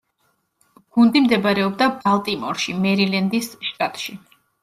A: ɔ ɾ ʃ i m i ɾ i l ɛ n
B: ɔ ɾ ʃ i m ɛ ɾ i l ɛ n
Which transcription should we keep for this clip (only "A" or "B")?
B